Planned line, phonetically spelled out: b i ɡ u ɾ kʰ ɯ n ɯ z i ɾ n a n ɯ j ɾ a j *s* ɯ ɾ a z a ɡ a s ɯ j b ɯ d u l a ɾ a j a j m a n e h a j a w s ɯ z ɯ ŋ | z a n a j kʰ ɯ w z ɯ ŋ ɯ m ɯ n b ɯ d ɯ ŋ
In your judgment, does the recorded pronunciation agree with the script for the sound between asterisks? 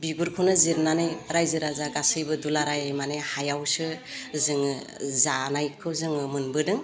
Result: no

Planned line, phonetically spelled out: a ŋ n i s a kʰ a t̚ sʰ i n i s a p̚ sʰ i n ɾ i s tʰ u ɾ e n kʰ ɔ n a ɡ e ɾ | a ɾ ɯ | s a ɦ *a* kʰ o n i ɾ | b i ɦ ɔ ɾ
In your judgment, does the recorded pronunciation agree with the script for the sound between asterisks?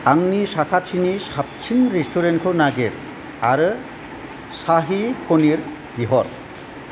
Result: no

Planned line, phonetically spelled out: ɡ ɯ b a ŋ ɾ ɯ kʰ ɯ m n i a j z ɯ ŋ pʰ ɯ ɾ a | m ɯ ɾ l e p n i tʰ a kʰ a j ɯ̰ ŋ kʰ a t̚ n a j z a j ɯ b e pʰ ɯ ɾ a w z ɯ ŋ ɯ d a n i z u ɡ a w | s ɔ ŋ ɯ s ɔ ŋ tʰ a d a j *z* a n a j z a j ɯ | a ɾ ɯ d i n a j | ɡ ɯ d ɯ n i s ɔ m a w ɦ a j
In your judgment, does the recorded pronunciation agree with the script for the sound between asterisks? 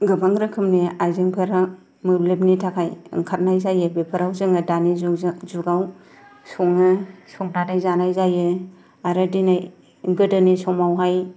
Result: yes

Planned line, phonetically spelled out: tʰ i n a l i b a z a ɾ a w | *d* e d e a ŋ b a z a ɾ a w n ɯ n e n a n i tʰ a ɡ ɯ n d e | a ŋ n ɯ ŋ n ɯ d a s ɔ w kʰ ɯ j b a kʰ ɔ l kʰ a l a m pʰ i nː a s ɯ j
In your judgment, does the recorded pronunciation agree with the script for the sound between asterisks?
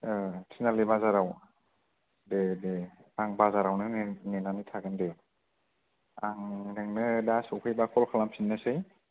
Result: yes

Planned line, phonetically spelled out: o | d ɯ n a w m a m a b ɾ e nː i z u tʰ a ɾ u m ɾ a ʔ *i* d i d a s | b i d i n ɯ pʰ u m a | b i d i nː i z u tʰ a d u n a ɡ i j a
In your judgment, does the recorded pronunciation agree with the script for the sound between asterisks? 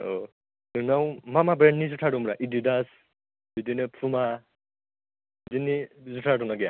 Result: yes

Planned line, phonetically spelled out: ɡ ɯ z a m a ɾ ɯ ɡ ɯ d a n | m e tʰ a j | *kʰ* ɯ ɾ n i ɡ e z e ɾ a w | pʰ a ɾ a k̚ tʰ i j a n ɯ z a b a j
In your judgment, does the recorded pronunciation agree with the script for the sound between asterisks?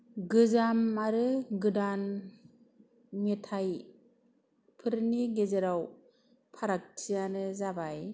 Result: no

